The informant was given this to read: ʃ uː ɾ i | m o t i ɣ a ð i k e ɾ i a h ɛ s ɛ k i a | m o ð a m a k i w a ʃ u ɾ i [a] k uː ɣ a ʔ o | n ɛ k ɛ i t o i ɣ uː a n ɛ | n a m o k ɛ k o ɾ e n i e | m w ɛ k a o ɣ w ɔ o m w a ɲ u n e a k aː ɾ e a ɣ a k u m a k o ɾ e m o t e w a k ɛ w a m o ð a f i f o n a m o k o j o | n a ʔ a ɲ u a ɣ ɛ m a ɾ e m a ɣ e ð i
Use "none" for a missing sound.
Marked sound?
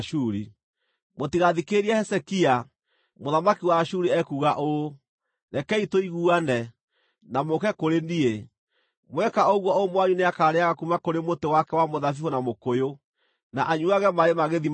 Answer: ɛ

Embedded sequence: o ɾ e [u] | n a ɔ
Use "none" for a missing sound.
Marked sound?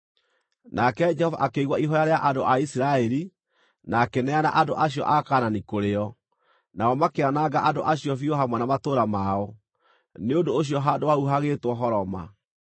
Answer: ɔ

